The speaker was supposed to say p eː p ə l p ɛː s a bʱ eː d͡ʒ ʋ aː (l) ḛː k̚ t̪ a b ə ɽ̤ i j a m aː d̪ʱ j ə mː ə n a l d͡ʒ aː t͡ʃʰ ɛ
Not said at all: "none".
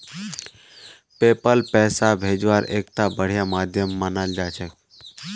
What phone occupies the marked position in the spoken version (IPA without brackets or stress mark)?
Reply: ɾ